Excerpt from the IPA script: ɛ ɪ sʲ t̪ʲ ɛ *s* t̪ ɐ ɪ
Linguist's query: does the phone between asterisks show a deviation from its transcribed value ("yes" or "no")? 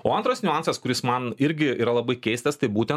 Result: no